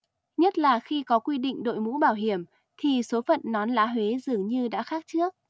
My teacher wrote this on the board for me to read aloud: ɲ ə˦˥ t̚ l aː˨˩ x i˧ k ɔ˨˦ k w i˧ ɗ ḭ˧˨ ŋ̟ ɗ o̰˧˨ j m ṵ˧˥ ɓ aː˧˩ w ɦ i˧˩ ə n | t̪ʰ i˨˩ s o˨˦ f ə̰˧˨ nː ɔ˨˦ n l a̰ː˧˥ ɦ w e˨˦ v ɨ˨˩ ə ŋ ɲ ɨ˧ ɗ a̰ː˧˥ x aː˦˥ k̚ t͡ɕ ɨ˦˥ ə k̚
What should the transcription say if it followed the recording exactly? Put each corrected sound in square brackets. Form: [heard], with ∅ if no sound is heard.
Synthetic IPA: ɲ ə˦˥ t̚ l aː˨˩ x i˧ k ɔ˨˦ k w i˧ ɗ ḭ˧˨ ŋ̟ ɗ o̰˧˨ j m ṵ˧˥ ɓ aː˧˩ w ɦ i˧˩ ə [m] | t̪ʰ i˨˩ s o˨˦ f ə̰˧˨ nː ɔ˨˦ n l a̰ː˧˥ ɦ w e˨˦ [z] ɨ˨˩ ə ŋ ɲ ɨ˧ ɗ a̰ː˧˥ x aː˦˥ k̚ t͡ɕ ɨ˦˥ ə k̚